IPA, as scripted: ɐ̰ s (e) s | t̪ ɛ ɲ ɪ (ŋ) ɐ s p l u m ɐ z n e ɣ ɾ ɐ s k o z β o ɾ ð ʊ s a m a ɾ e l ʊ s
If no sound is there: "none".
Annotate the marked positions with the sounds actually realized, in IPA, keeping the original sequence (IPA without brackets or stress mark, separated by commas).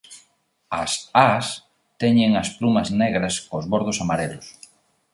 a, ŋ